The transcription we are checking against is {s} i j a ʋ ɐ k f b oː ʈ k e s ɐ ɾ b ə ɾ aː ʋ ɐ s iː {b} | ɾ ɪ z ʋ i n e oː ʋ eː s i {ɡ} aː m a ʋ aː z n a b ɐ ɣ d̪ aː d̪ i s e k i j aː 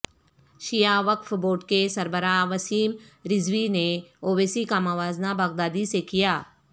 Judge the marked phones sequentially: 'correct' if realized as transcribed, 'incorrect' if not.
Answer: incorrect: ʃ, incorrect: m, incorrect: k

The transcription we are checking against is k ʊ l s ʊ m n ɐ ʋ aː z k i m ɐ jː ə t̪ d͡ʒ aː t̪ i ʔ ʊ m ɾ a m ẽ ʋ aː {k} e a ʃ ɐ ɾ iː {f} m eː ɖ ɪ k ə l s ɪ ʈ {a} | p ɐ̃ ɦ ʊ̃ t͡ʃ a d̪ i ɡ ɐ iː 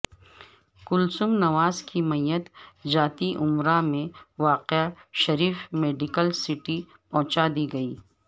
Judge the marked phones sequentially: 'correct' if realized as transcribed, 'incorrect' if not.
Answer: incorrect: q, correct, incorrect: i

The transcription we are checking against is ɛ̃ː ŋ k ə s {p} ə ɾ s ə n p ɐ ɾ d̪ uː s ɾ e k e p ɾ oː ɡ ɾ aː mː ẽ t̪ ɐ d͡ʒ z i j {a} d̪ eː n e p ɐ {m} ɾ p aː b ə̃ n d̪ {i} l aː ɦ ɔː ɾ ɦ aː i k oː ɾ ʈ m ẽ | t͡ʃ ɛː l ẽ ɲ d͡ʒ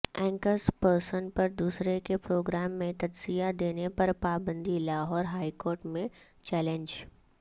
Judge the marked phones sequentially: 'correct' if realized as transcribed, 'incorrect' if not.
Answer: correct, correct, incorrect: none, correct

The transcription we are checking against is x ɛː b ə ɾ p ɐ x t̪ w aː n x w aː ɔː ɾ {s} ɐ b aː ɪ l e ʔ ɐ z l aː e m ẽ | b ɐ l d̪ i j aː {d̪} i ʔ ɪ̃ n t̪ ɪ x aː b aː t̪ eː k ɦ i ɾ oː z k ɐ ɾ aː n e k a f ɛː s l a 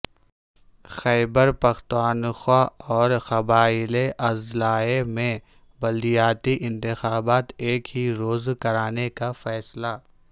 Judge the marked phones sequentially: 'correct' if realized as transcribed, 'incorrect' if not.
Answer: incorrect: x, incorrect: t̪

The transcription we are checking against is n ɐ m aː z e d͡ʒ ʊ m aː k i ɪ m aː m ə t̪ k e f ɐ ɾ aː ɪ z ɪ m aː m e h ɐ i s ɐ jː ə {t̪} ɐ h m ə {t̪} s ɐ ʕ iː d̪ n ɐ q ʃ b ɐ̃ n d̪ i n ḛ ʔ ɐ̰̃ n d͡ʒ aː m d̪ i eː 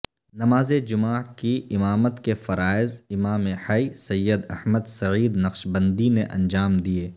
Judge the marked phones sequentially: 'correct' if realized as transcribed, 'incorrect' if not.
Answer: incorrect: d̪, incorrect: d̪

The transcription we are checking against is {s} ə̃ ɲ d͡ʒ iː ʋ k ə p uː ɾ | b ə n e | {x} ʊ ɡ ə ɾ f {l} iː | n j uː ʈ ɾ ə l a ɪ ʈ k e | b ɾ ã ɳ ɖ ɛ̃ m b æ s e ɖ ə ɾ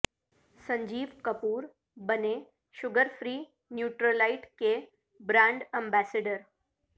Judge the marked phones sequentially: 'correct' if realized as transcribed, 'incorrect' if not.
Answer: correct, incorrect: ʃ, incorrect: ɾ

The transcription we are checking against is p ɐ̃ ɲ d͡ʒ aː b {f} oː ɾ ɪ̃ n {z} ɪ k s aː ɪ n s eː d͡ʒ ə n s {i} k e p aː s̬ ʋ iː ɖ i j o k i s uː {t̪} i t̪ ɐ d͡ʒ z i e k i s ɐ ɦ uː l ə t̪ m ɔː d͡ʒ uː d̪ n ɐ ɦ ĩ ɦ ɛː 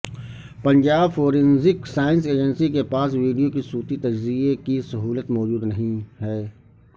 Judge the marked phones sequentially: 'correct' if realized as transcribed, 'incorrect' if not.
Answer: correct, correct, correct, correct

